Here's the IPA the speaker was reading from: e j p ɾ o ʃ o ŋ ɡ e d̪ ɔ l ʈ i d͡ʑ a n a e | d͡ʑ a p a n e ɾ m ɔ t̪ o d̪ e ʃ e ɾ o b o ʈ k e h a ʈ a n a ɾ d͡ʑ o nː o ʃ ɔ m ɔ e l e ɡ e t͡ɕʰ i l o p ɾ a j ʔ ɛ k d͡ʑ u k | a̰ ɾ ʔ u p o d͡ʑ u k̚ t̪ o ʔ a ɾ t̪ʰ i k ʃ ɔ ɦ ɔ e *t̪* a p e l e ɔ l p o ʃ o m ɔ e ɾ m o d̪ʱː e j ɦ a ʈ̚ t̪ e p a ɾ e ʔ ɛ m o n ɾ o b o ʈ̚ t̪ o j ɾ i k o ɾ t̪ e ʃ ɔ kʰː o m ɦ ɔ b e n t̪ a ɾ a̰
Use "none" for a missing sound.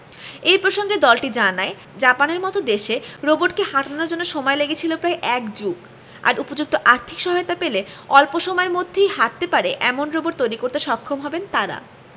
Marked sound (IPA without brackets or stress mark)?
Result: t̪